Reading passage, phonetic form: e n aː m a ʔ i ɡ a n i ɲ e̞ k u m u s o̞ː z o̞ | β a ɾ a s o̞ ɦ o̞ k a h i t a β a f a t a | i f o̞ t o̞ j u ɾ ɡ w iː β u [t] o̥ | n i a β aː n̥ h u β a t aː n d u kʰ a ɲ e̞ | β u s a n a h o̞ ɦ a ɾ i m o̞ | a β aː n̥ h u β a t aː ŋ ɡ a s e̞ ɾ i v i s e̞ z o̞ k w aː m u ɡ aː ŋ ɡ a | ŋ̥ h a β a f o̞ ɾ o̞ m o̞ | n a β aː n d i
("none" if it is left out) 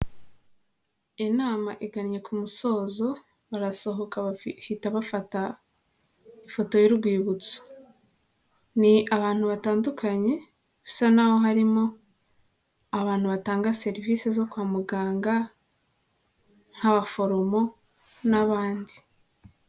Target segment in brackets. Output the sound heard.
t͡s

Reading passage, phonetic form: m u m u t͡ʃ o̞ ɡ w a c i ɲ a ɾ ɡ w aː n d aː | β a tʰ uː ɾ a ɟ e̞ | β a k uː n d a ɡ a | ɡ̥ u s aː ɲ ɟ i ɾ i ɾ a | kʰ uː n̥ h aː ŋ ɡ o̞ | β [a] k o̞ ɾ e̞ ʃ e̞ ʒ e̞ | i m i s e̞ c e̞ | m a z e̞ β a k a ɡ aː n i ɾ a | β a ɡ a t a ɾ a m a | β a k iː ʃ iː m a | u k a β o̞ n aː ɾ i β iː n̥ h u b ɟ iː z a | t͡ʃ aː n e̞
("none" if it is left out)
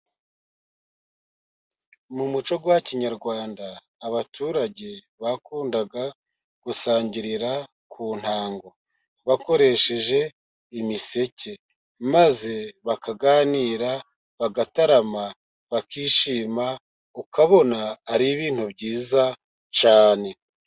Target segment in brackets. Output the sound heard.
a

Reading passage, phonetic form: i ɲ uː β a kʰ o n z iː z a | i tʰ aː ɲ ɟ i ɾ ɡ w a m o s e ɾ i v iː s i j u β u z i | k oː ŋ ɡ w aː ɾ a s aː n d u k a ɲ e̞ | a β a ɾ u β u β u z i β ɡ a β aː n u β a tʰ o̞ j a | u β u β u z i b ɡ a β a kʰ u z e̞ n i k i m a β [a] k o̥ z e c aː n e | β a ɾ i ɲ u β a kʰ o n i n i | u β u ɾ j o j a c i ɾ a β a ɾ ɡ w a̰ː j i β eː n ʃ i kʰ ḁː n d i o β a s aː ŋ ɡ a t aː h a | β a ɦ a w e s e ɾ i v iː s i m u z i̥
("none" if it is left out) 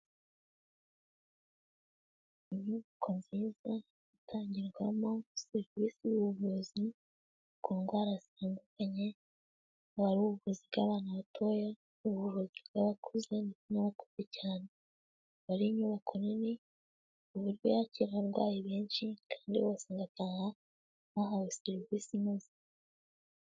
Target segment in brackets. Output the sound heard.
a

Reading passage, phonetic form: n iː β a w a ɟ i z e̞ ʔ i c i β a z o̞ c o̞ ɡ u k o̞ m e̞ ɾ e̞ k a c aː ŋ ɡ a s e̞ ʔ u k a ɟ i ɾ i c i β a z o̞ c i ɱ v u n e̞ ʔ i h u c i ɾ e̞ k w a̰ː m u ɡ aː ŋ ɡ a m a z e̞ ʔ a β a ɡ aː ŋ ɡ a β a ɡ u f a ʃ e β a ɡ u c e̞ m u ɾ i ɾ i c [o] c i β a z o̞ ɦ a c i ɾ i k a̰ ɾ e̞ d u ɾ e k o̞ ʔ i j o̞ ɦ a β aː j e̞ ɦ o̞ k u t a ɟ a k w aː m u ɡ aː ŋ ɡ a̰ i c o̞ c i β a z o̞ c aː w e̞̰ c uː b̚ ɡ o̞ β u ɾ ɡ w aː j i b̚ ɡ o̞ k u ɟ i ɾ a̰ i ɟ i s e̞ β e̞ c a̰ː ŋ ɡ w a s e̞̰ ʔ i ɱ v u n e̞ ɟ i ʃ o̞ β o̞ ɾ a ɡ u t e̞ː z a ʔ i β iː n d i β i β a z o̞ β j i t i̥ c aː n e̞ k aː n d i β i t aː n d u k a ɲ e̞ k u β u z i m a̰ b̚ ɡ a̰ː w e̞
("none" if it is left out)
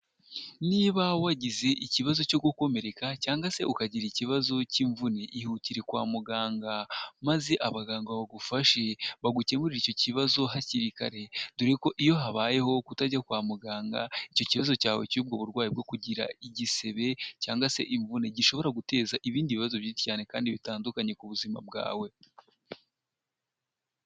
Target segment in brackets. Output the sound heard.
o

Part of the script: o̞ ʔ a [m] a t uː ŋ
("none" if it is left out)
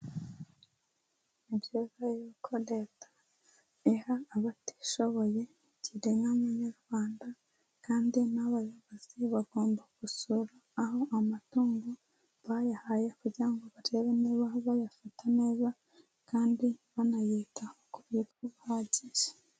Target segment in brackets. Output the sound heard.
m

